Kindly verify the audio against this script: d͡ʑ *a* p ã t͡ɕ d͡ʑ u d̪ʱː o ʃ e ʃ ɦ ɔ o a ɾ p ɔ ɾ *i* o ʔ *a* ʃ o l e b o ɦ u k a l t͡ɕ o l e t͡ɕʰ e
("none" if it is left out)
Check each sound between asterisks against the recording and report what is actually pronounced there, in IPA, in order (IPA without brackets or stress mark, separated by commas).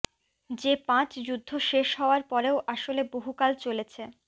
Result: e, e, a